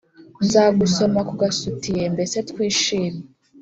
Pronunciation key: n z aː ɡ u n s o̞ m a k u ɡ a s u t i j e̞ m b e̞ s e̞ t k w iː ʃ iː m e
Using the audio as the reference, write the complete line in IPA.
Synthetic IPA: n z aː ɡ u s o̞ m a k u ɡ a s u t i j e̞ m b e̞ s e̞ t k w iː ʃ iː m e